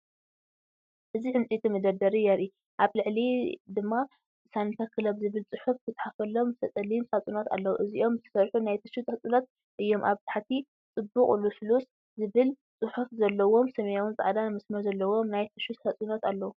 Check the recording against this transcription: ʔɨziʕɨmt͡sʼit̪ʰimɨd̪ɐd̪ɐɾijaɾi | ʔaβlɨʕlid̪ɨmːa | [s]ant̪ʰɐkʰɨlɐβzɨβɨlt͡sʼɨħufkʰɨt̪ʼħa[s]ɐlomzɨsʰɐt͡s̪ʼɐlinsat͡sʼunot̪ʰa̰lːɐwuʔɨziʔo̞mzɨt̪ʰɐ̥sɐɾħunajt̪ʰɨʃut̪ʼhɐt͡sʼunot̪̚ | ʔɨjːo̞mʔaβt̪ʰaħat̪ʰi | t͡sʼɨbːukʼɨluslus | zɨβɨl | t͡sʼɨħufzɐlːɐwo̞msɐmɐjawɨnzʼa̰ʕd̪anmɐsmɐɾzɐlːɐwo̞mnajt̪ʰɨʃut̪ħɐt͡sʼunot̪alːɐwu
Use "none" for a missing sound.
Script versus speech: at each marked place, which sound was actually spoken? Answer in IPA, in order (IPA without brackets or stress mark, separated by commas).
s, f